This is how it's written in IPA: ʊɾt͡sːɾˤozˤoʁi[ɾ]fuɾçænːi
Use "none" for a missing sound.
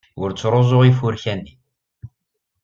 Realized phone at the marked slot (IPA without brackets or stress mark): none